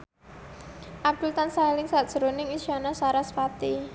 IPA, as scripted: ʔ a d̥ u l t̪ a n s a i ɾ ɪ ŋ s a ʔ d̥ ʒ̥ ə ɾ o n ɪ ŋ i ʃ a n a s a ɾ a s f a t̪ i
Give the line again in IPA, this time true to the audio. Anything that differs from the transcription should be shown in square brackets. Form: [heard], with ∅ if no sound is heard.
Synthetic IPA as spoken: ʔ a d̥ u l t̪ a n s a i [l] ɪ ŋ s a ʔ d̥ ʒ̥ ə ɾ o n ɪ ŋ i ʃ a n a s a ɾ a s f a t̪ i